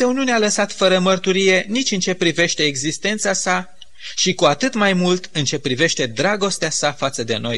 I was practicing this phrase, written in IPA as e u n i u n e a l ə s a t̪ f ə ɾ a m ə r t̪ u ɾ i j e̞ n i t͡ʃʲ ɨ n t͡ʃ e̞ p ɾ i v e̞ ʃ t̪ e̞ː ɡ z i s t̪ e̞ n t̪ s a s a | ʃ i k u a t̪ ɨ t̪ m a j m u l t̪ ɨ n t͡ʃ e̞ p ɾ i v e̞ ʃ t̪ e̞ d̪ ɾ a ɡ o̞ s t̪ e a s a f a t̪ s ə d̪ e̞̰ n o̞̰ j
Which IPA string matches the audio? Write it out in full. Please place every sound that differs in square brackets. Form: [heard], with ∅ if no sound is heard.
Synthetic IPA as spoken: e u n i u n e a l ə s a t̪ f ə ɾ [ə] m ə r t̪ u ɾ i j e̞ n i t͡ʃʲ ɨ n t͡ʃ e̞ p ɾ i v e̞ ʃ t̪ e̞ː ɡ z i s t̪ e̞ n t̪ s a s a | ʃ i k u a t̪ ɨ t̪ m a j m u l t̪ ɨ n t͡ʃ e̞ p ɾ i v e̞ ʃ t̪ e̞ d̪ ɾ a ɡ o̞ s t̪ e a s a f a t̪ s ə d̪ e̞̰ n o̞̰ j